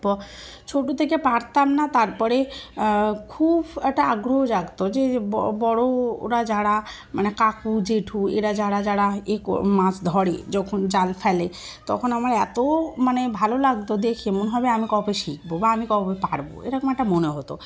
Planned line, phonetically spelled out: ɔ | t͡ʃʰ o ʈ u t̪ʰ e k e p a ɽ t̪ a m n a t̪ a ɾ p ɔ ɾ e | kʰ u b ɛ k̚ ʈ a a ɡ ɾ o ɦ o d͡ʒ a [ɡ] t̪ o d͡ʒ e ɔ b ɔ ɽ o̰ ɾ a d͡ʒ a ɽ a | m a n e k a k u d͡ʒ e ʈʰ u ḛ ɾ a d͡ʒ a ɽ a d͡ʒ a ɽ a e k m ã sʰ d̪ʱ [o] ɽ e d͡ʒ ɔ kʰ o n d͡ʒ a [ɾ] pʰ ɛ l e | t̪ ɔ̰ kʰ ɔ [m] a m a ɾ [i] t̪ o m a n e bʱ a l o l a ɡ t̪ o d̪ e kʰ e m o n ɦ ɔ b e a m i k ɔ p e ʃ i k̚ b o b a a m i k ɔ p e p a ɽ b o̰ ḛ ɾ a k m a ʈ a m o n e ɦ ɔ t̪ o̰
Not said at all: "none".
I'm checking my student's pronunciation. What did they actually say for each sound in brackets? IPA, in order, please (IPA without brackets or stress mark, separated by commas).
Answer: ɡ, ɔ, l, n, ɛ